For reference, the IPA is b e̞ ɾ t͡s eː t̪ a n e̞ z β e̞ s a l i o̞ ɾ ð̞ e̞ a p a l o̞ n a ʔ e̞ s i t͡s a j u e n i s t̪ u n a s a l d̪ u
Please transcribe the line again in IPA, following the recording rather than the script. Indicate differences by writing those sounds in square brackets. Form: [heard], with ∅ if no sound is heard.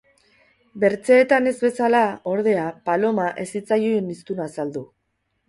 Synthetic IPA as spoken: b e̞ ɾ t͡s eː t̪ a n e̞ z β e̞ s a l [a] o̞ ɾ ð̞ e̞ a p a l o̞ [m] a ʔ e̞ s i t͡s a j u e n i s t̪ u n a s a l d̪ u